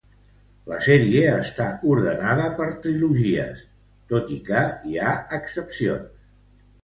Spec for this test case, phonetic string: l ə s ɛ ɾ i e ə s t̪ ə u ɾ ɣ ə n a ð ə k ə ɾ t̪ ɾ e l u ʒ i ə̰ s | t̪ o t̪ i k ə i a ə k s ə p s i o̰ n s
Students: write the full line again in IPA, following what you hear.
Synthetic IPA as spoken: l ə s ɛ ɾ i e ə s t̪ a u ɾ ð ə n a ð ə p ə ɾ t̪ ɾ i l u ʒ i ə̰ s | t̪ o t̪ i k ə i a ə k s ə p s i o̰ n s